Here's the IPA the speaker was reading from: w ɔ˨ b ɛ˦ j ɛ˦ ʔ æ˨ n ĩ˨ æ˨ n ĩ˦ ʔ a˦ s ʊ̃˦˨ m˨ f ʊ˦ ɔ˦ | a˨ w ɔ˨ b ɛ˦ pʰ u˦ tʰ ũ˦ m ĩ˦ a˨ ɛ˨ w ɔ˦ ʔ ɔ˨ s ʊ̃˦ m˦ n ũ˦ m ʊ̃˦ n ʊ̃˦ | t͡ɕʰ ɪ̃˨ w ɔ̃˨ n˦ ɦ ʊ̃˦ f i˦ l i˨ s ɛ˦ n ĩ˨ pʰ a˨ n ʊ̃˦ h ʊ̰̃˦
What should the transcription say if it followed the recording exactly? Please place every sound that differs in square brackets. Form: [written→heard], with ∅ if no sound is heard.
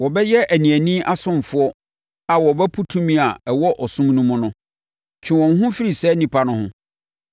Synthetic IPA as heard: w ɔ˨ b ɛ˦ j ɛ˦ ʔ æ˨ n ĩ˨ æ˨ n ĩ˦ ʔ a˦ s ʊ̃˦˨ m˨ f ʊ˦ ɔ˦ | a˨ w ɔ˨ b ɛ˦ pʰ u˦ tʰ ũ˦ m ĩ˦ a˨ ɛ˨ w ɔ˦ ʔ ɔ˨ s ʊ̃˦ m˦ n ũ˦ m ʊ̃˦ n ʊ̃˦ | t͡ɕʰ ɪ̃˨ w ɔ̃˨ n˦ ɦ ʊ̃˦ f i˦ [l→ɾ] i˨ s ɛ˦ n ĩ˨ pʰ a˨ n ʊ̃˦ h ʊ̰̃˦